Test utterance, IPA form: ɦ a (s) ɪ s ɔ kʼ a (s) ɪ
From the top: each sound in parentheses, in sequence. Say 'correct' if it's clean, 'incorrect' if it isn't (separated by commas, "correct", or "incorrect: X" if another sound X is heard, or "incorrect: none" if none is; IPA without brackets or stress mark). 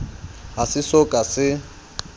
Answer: correct, correct